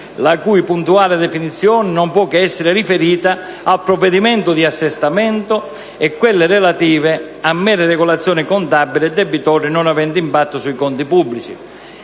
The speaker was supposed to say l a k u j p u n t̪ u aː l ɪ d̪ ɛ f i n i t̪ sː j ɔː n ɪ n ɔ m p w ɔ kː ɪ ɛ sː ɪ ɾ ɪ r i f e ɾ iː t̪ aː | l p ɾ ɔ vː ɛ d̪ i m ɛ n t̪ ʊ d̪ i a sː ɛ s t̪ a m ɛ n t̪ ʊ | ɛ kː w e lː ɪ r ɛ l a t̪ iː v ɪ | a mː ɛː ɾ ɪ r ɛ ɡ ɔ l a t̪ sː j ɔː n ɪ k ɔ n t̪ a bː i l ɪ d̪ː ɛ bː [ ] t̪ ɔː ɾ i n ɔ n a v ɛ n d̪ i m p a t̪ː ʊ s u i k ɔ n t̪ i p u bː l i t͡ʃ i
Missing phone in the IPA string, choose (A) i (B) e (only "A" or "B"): A